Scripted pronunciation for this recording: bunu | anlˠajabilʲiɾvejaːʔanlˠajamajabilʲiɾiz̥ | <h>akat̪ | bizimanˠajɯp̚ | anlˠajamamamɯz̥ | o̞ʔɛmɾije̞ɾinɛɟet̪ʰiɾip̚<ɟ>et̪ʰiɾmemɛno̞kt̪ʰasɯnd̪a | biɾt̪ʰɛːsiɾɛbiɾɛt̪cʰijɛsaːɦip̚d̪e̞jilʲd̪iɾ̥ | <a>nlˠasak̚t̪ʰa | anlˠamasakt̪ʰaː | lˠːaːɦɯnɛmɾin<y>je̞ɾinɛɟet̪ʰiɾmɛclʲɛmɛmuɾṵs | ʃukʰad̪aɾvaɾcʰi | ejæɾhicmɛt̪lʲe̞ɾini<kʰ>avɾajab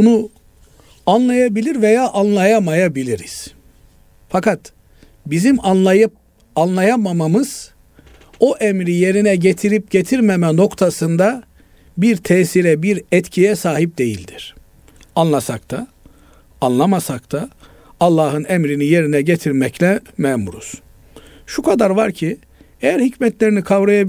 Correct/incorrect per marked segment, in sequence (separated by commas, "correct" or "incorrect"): incorrect, correct, correct, incorrect, correct